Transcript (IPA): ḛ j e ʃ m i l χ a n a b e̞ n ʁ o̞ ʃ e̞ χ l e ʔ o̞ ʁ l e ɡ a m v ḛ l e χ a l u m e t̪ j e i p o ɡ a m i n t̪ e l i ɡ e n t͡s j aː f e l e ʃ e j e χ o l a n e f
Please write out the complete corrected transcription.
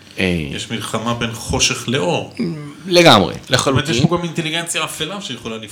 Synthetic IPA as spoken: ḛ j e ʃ m i l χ a m a b e̞ n χ o̞ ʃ e̞ χ l e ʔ o̞ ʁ l e ɡ a m ʁ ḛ l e χ a l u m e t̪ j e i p o ɡ a m i n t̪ e l i ɡ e n t͡s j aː f e l a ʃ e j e χ o l a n i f